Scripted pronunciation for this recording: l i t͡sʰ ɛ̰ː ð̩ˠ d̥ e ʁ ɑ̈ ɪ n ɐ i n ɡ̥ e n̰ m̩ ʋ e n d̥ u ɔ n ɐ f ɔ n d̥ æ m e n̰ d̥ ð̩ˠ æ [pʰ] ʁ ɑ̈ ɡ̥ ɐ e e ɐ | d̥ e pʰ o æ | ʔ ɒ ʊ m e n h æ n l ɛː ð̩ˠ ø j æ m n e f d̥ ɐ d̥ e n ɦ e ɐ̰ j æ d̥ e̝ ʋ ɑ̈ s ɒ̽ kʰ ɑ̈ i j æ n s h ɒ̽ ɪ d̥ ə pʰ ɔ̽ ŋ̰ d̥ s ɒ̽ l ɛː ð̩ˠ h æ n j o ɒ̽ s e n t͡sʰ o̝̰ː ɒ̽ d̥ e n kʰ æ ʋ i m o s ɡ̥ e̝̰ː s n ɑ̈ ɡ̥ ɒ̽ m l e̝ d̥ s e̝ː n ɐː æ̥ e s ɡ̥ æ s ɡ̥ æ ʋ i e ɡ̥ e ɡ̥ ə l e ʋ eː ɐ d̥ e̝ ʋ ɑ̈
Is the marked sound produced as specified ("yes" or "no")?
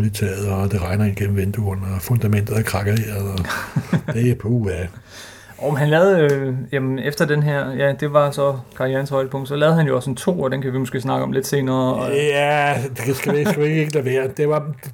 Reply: no